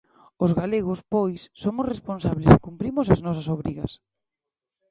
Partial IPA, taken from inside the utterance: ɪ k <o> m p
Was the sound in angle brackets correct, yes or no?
no